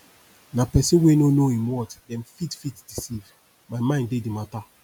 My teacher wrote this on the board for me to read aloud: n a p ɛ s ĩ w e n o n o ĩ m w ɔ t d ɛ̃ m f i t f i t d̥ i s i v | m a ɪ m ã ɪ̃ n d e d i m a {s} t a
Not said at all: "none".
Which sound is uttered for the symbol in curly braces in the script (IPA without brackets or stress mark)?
none